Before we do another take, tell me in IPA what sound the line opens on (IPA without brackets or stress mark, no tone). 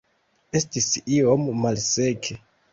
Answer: e̞